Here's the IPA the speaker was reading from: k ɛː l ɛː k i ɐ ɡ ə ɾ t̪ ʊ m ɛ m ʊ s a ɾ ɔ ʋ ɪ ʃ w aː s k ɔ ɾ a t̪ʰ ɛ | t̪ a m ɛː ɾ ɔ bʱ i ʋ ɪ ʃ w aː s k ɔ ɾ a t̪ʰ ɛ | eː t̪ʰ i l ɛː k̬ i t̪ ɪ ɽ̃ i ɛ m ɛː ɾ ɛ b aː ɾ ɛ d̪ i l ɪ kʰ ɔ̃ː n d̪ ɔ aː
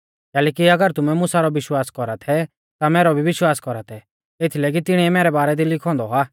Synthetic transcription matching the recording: k ɛː l ɛː k i ɐ ɡ ə ɾ t̪ ʊ m ɛ m ʊ s a ɾ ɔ ʋ ɪ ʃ w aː s k ɔ ɾ a t̪ʰ ɛ | t̪ a m ɛː ɾ ɔ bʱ i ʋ ɪ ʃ w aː s k ɔ ɾ a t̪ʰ ɛ | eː t̪ʰ i l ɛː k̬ i t̪ ɪ ɽ̃ i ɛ m ɛː ɾ ɛ b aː ɾ ɛ d̪ i l ɪ kʰ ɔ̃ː n d̪ ɔ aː